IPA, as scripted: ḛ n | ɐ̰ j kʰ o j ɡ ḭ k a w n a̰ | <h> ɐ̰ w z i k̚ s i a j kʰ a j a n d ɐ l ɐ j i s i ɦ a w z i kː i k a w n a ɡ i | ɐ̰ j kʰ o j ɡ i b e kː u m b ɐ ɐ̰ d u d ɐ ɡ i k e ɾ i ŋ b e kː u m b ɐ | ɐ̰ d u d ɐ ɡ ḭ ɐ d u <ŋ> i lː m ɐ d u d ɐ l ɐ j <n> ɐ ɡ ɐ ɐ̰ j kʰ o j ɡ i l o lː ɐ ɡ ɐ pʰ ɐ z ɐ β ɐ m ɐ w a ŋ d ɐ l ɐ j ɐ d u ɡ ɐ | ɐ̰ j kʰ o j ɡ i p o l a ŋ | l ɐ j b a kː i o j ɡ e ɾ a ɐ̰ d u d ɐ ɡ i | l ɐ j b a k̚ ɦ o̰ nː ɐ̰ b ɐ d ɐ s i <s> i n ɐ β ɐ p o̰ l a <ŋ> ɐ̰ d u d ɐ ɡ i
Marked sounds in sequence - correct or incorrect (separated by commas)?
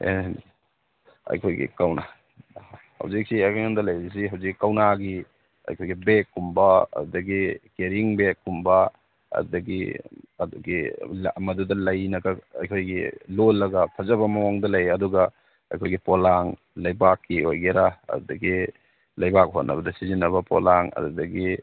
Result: correct, incorrect, correct, incorrect, correct